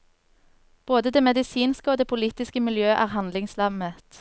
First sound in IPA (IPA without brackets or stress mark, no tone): b̥